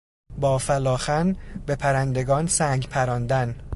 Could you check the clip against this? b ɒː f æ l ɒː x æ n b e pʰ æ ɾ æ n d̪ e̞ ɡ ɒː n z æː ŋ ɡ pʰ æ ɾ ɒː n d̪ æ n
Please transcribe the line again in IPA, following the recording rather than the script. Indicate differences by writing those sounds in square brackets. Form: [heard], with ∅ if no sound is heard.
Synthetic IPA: b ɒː f æ l ɒː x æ n b e pʰ æ ɾ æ n d̪ e̞ ɡ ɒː n [s] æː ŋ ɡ pʰ æ ɾ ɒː n d̪ æ n